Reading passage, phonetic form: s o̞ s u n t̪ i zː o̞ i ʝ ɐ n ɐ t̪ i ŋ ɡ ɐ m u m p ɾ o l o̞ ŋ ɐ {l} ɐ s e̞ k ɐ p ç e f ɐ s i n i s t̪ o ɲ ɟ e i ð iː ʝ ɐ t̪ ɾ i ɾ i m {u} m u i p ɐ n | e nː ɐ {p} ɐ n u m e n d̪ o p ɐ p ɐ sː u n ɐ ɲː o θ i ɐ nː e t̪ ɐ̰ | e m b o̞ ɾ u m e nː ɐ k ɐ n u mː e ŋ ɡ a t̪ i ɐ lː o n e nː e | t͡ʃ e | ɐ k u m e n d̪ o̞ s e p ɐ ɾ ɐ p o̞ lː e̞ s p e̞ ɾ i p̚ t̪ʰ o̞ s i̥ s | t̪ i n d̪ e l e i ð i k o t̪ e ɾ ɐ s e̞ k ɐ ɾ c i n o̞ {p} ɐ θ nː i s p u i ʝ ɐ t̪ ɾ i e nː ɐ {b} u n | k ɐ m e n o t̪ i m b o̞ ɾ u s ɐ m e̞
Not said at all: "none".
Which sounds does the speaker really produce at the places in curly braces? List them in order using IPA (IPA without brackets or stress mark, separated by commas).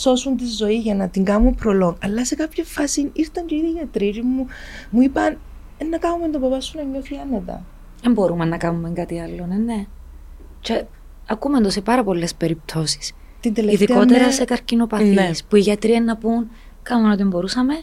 lː, u, k, p, p